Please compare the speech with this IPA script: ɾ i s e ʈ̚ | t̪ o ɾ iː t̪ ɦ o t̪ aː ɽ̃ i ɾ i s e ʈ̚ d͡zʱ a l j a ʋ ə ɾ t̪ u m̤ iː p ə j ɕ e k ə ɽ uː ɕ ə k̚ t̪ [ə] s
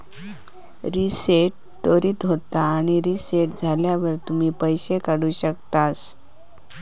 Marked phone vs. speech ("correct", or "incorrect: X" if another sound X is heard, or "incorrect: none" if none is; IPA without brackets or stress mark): incorrect: a